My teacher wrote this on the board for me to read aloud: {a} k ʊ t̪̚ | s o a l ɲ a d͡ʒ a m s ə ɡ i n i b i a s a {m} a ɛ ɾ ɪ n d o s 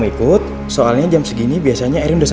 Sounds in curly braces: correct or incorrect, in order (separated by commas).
incorrect, incorrect